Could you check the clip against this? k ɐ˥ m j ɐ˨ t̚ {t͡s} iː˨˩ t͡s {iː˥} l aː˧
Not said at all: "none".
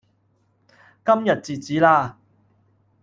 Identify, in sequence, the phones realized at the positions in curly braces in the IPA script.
t͡s, iː˨˥

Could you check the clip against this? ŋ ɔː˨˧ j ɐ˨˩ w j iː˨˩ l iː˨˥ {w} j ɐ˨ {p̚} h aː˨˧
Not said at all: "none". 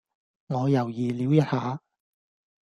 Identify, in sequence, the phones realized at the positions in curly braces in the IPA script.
w, t̚

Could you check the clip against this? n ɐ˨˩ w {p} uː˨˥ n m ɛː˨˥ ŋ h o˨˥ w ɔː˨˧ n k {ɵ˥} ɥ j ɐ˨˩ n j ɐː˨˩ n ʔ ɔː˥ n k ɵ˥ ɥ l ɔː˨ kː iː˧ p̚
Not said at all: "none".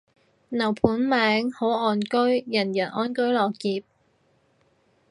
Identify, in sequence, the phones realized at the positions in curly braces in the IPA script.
pʰ, ɵ˥

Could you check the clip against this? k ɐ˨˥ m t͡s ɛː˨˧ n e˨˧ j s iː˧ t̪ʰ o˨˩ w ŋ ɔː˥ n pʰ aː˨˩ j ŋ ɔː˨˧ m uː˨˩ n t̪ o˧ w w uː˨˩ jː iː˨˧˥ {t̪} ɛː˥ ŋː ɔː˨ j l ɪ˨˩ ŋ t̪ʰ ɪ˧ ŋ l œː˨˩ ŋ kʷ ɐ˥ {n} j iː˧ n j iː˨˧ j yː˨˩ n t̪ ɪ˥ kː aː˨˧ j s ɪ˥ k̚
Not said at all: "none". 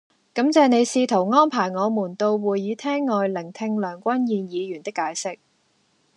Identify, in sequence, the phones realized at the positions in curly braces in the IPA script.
t̪ʰ, n

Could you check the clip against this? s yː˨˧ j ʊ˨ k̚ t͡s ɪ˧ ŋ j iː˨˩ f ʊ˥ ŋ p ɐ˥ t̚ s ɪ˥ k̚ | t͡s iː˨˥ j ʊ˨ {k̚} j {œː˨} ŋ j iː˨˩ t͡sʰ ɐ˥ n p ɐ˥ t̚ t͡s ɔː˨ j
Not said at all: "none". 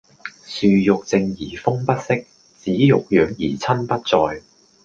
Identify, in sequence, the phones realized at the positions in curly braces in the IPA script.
k̚, œː˨

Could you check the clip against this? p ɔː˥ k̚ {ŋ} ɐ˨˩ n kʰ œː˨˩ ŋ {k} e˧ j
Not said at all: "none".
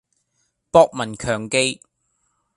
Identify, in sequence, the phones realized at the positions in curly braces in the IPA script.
m, k

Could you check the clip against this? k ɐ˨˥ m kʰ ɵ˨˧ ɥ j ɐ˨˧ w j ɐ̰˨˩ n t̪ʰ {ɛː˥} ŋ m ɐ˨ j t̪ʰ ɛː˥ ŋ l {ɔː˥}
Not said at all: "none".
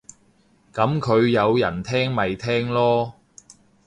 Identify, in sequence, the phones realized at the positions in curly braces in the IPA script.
ɛː˥, ɔː˥

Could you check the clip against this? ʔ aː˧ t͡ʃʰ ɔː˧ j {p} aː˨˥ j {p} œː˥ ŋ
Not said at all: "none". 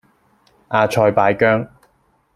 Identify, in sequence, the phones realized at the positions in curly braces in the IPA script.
p, k

